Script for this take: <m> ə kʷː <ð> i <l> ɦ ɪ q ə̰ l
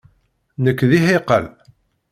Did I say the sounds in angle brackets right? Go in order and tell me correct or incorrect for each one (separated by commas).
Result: incorrect, correct, incorrect